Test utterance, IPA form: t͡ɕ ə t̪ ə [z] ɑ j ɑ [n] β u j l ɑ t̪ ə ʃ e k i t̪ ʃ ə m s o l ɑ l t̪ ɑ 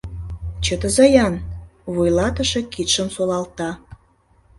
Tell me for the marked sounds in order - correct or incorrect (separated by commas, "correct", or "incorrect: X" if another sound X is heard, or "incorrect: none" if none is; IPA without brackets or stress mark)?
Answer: correct, correct